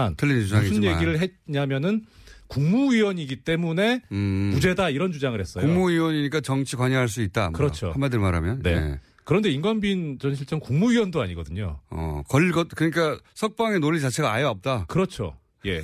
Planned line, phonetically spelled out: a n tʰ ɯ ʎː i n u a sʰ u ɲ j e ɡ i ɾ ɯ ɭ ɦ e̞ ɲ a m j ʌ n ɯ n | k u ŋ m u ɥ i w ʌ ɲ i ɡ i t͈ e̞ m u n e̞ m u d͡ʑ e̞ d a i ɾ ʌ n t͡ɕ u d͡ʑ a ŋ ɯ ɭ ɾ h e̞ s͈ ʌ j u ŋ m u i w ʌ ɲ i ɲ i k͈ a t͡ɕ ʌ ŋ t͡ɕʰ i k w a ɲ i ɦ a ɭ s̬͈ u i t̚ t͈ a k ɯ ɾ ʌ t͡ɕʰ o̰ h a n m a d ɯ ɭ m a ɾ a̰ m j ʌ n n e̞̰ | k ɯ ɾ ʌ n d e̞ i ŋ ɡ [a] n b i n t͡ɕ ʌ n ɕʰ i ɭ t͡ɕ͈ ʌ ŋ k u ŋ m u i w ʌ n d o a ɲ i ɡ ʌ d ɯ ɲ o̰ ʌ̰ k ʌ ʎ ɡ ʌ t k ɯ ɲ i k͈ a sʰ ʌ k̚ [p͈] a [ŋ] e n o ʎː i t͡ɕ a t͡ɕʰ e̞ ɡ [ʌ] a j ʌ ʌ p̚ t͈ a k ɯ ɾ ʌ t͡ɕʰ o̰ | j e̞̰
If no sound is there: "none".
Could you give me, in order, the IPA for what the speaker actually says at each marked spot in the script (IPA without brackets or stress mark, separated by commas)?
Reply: ʌ, p͈, ŋ, a